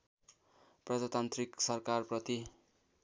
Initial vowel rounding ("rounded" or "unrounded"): unrounded